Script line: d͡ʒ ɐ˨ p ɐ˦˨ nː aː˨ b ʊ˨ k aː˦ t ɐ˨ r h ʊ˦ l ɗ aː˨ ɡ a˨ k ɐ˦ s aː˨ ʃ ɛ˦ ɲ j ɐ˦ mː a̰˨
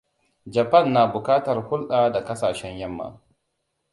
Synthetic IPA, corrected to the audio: d͡ʒ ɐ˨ p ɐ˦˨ nː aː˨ b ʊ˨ k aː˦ t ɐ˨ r h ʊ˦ l ɗ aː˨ d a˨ k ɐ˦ s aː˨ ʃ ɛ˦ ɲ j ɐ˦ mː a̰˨